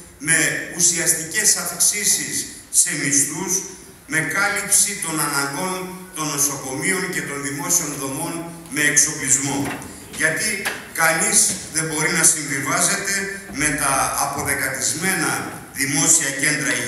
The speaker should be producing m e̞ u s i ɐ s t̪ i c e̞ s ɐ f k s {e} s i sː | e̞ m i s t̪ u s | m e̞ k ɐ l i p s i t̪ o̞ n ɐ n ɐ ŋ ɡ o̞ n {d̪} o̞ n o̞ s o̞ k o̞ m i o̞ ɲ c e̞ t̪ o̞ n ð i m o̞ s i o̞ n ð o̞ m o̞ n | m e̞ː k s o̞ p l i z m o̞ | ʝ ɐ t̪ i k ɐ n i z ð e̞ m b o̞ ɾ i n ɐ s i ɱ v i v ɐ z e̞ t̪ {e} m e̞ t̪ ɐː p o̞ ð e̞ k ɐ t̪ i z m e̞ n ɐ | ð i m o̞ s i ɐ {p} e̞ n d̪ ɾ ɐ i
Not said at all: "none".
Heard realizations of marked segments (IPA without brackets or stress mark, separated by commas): i, t̪, e, c